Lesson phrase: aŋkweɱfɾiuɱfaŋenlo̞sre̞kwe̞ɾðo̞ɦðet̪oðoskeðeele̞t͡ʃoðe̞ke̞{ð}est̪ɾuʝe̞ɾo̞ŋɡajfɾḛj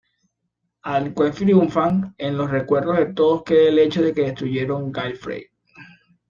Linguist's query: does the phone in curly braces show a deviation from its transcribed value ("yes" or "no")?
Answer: no